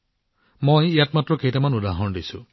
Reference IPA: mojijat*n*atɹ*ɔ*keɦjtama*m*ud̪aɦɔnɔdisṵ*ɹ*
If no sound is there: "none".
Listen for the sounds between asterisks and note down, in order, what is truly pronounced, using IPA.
m, ɔ, n, none

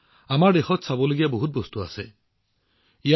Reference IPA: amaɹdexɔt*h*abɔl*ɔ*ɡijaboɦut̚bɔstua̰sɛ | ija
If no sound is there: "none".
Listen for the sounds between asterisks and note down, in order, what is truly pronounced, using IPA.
s, o

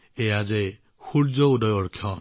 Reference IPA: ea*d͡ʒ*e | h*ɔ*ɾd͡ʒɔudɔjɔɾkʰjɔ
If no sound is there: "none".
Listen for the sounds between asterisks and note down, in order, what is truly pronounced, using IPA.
d͡ʒ, u

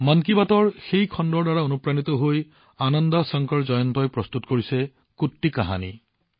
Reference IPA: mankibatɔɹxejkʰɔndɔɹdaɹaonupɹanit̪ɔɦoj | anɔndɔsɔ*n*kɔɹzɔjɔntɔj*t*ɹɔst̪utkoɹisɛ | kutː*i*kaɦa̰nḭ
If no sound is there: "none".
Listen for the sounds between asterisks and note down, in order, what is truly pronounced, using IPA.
ŋ, p, i

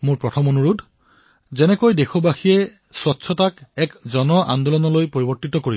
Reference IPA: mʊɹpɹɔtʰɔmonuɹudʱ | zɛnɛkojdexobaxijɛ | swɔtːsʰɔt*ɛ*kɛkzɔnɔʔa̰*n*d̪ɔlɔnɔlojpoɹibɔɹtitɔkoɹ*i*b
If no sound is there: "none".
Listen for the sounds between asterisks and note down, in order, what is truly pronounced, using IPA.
a, n, i

